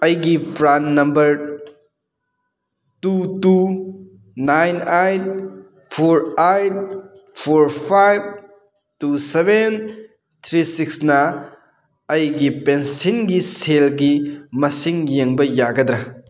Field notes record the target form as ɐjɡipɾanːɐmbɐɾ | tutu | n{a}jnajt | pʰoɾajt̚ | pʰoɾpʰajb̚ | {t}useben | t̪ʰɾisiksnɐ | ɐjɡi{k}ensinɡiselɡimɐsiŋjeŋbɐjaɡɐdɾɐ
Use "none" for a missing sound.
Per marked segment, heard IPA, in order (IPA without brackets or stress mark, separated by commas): a, t, p